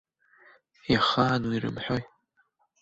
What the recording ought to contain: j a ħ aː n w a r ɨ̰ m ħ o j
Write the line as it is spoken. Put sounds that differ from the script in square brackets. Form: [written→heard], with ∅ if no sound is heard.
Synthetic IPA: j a [ħ→χ] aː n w [a→i] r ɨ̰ m ħ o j

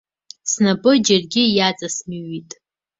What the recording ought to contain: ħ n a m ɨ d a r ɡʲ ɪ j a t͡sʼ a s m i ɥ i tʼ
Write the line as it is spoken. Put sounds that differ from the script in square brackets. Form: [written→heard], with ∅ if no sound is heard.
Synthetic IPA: [ħ→s] n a [m→b] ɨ [d→d͡ʒ] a r ɡʲ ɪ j a t͡sʼ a s m i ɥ i tʼ

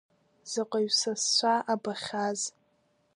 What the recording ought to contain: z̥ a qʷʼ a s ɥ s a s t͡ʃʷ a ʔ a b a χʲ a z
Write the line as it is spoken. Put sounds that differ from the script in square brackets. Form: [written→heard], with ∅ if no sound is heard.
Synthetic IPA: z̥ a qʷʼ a [s→∅] ɥ s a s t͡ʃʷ a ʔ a b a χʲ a z

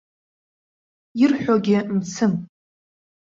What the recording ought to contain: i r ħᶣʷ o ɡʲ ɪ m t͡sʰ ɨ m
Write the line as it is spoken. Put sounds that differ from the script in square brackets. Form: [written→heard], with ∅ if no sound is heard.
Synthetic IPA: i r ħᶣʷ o ɡʲ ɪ m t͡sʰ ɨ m

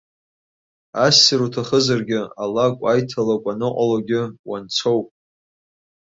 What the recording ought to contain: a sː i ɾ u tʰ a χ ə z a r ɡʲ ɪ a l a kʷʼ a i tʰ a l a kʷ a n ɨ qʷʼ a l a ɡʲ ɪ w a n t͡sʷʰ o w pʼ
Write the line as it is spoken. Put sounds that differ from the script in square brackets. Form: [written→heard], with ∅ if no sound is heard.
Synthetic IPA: a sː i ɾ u tʰ a χ ə z a r ɡʲ ɪ a l a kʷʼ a [i→j] tʰ a l a [kʷ→kʷʼ] a n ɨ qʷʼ a l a ɡʲ ɪ w a n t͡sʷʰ o w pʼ

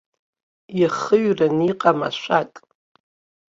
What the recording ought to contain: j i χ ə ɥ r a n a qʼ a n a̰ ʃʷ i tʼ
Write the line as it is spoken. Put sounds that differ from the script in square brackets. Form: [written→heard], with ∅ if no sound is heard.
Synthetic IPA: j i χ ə ɥ r a n [a→i] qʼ a [n→m] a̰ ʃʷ [i→a] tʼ

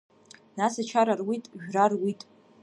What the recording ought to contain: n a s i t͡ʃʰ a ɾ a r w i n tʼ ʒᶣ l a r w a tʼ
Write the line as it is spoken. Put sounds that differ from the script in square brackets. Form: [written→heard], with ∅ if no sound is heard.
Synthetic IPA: n a s [i→a] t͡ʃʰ a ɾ a r w i [n→∅] tʼ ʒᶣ [l→r] a r w [a→i] tʼ

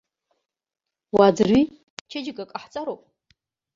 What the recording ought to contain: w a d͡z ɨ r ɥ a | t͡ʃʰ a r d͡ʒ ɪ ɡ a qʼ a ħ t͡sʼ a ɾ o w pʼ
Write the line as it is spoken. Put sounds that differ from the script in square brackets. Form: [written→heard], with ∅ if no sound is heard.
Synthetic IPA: w a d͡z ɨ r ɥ [a→i] | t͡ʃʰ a [r→∅] d͡ʒ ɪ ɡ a [qʼ→kʼ] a ħ t͡sʼ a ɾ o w pʼ

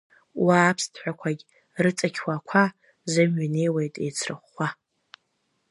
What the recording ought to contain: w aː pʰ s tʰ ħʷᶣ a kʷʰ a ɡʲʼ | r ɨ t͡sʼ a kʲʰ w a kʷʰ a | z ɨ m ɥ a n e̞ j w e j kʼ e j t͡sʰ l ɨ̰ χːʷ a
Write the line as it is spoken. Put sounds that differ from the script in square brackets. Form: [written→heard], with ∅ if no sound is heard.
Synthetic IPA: w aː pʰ s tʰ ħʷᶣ a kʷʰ a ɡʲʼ | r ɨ t͡sʼ a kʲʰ w a kʷʰ a | z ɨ m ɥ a n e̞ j w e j [kʼ→tʼ] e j t͡sʰ [l→r] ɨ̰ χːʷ a

